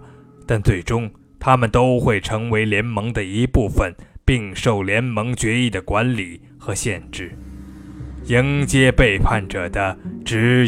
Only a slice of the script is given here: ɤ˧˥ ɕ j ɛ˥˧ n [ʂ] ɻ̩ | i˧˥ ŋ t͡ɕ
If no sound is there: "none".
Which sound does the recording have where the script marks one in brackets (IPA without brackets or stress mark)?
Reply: ʈ͡ʂ